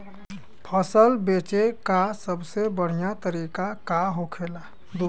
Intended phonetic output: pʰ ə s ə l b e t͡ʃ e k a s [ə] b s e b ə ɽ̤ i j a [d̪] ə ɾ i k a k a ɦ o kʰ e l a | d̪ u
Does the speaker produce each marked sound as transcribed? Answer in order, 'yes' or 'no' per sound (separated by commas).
yes, no